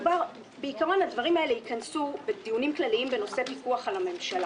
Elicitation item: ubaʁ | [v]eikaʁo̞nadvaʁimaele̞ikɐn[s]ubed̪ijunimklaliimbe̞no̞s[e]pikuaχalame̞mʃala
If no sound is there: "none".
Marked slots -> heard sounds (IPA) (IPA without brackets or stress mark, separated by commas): b, s, e